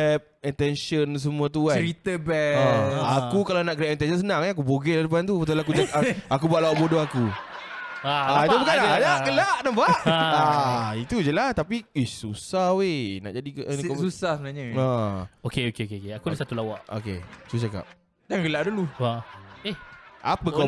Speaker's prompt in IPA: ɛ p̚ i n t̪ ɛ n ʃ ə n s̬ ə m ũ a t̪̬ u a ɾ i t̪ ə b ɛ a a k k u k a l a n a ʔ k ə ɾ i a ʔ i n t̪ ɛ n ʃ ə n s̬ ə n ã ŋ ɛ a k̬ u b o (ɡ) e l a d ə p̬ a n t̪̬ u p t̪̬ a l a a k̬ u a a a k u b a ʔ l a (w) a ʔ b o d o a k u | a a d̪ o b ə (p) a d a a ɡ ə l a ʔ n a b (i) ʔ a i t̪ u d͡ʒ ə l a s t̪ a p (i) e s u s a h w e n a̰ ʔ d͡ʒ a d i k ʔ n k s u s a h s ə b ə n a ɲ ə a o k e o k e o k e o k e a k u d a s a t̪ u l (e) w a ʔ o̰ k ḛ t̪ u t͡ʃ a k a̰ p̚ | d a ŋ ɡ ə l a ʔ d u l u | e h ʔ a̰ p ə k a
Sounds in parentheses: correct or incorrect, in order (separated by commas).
correct, correct, incorrect, incorrect, correct, incorrect